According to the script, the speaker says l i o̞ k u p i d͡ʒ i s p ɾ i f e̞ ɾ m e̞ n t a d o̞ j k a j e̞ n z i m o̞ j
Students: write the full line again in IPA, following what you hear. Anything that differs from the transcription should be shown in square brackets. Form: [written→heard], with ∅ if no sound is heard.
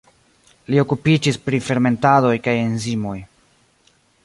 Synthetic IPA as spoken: l i o̞ k u p i d͡ʒ i s p ɾ i f e̞ ɾ m e̞ n t a d o̞ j k a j e̞ n z i m o̞ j